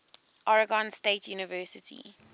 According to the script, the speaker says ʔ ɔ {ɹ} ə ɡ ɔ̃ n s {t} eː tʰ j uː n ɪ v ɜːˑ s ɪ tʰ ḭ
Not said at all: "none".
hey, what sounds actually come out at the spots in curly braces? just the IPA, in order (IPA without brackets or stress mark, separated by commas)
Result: ɹ, t